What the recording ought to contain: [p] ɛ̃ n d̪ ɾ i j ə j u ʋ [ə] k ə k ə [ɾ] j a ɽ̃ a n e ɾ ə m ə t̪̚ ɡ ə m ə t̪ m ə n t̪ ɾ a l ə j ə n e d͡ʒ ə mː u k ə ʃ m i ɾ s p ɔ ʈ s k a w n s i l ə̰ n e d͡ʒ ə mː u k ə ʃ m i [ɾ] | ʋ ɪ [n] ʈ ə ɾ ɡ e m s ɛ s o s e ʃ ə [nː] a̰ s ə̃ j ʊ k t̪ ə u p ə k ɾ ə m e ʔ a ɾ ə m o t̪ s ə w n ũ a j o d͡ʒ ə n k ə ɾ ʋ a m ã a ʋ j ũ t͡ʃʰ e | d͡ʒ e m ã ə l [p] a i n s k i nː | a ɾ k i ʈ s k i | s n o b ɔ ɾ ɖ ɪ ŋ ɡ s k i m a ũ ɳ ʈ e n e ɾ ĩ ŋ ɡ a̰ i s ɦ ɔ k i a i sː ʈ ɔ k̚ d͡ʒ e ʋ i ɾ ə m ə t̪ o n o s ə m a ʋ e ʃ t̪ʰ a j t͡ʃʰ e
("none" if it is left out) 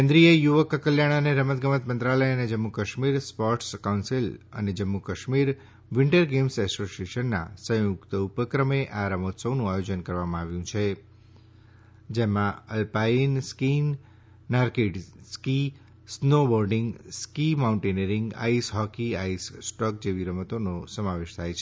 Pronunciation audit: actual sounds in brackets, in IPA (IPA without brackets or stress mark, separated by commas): k, ə, l, ɾ, ɳ, nː, p